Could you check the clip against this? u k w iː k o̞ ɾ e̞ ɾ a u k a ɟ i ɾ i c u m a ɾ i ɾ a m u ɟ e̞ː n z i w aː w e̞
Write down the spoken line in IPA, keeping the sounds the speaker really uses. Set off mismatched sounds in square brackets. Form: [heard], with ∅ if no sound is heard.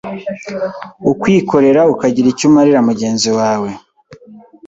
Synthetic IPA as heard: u k w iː k o̞ ɾ e̞ ɾ a u k a ɟ i ɾ i c u m a ɾ i ɾ a m u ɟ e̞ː n z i w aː w e̞